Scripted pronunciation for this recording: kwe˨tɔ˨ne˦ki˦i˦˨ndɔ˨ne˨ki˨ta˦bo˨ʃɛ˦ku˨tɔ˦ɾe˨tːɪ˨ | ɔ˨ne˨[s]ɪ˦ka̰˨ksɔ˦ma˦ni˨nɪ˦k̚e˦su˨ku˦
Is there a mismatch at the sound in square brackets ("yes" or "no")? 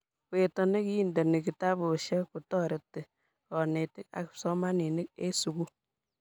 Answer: yes